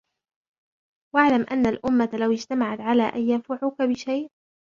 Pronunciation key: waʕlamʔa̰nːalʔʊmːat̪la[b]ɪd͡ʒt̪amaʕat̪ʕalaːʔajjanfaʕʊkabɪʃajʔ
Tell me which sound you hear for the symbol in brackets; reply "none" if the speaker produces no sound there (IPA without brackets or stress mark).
w